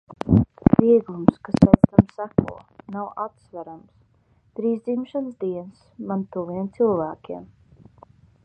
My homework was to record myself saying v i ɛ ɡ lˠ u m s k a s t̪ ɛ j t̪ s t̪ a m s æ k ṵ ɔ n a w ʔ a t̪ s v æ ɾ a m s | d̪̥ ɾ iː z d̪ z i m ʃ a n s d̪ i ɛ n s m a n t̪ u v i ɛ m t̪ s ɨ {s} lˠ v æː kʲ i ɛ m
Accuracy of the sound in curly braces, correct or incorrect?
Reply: incorrect